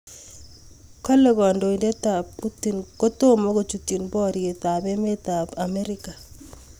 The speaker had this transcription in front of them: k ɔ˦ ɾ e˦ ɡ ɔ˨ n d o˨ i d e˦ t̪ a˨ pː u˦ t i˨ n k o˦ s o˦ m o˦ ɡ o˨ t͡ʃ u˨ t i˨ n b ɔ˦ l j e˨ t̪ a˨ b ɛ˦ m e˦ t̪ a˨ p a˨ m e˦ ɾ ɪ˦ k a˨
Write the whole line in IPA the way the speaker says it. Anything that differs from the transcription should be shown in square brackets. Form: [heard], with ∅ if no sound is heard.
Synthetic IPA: k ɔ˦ [l] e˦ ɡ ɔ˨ n d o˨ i d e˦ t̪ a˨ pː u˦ t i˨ n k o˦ [t] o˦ m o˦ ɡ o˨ t͡ʃ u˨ t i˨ n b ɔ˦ [ɾ] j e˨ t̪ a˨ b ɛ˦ m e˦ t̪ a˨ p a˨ m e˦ ɾ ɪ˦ k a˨